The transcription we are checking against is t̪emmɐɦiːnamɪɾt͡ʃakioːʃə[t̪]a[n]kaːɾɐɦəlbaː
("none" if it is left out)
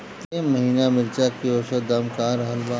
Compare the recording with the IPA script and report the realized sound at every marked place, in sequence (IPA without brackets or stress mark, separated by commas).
d̪, m